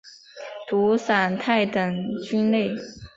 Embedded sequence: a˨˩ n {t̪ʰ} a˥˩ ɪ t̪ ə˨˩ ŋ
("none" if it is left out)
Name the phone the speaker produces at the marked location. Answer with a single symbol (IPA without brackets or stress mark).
t̪ʰ